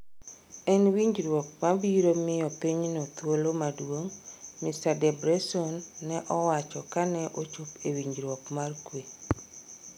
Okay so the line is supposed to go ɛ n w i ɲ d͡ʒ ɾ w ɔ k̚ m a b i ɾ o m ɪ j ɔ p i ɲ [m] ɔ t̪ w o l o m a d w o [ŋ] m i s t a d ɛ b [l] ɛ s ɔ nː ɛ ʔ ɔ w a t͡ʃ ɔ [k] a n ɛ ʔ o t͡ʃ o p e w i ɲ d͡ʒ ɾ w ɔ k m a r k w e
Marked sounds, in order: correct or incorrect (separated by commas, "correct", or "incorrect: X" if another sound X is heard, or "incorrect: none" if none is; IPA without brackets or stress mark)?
incorrect: n, correct, incorrect: ɾ, correct